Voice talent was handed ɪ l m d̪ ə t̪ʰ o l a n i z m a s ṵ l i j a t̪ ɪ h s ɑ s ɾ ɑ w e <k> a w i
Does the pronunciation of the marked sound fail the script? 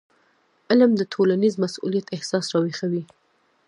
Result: yes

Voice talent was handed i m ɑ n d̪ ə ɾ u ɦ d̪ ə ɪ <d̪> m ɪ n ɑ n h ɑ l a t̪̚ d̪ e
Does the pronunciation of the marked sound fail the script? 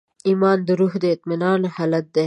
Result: yes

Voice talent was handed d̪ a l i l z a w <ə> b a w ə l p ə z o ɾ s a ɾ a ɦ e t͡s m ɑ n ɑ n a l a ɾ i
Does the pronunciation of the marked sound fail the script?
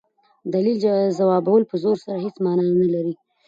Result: yes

